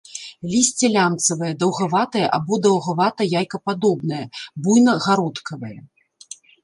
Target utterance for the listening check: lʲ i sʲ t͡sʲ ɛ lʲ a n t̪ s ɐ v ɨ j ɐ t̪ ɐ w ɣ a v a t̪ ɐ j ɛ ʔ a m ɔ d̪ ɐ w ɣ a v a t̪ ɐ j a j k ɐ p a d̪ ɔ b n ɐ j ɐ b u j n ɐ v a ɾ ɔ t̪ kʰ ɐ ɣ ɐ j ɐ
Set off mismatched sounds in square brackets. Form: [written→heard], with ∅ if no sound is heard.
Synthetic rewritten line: lʲ i sʲ t͡sʲ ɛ lʲ a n t̪ s ɐ v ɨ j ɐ [t̪→d̪] ɐ w ɣ a v a t̪ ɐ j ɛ ʔ a [m→b] ɔ d̪ ɐ w ɣ a v a t̪ ɐ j a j k ɐ p a d̪ ɔ b n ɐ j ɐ b u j n ɐ [v→ɣ] a ɾ ɔ t̪ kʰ ɐ [ɣ→v] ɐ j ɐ